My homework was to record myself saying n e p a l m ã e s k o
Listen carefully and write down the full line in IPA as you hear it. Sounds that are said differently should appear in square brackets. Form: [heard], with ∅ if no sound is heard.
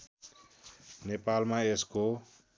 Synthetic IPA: n e p a l m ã e s k o